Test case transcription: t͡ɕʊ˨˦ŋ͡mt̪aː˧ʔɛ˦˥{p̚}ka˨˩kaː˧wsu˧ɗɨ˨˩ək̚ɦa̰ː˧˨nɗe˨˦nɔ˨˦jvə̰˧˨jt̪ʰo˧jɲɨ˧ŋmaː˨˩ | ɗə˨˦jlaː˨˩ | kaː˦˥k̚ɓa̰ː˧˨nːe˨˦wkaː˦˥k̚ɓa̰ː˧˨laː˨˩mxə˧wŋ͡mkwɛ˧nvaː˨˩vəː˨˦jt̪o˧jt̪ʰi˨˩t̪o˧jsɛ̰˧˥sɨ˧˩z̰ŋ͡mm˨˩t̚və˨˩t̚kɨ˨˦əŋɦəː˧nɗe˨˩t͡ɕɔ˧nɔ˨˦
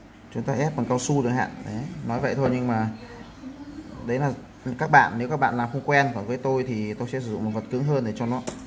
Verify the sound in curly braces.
correct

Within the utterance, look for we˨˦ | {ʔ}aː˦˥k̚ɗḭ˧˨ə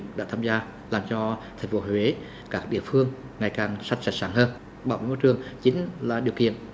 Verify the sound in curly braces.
incorrect: k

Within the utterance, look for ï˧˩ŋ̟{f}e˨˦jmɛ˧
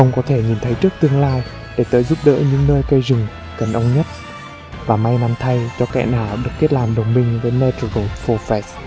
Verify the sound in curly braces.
incorrect: v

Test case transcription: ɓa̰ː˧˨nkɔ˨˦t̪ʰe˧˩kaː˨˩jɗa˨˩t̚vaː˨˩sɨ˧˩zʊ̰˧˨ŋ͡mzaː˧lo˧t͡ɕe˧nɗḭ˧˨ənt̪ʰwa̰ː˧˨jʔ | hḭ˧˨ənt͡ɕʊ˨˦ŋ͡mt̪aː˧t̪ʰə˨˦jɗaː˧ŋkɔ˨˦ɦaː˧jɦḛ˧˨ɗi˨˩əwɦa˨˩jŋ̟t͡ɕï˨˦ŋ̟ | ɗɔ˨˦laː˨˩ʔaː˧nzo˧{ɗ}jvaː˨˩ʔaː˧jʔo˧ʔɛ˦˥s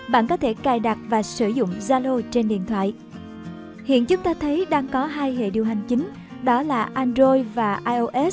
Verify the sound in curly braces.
incorrect: none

